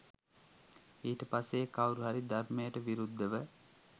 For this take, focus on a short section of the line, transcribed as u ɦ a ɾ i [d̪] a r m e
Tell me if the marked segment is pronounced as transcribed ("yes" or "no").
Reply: yes